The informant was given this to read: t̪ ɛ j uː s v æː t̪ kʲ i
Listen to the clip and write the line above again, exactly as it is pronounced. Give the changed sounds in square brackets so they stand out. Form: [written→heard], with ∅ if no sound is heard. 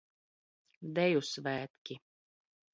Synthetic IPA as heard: [t̪→d̪] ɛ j [uː→u] s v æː t̪ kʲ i